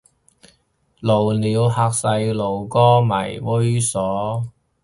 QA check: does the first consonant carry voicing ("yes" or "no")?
yes